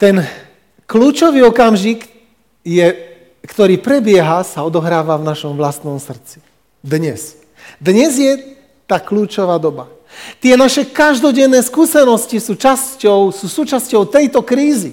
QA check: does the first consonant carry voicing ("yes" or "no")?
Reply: no